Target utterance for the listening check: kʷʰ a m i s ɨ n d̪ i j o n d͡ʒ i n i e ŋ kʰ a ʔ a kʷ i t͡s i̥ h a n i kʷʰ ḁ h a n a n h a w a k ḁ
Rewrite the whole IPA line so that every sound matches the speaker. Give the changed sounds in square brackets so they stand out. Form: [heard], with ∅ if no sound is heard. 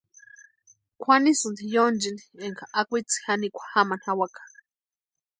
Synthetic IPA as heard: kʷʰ a [n] i s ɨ n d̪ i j o n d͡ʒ i n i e ŋ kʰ a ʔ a kʷ i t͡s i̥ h a n i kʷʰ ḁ h a [m] a n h a w a k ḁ